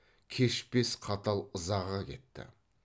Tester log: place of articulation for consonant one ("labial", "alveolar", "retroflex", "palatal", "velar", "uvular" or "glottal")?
velar